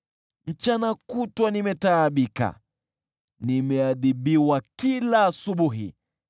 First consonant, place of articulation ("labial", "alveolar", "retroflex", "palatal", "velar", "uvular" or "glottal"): labial